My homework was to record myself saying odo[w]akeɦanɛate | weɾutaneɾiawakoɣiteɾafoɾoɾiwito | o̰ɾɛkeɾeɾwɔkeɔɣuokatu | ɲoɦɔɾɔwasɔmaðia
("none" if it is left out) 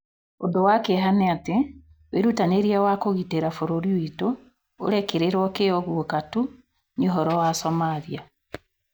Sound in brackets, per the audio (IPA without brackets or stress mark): w